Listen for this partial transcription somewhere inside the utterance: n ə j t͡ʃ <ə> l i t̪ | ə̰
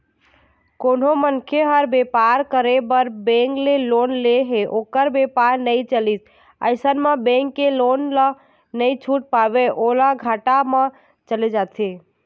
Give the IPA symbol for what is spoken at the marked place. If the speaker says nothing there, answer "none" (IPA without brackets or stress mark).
ə